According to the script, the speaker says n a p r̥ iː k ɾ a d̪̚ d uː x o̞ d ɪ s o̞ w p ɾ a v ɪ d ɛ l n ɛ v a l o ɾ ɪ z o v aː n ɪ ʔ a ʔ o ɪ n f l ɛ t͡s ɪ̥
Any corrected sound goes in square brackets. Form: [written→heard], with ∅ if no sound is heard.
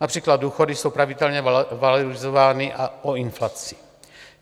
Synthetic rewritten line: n a p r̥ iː k [ɾ→l] a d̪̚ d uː x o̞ d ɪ s o̞ w p ɾ a v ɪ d ɛ l [n→ɲ] ɛ v a l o ɾ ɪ z o v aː n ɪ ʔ a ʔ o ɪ n f l [ɛ→a] t͡s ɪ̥